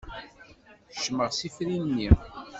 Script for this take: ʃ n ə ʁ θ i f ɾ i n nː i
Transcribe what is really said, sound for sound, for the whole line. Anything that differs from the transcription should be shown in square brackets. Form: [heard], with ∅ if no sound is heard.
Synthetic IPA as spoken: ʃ [m] ə ʁ [s] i f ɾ i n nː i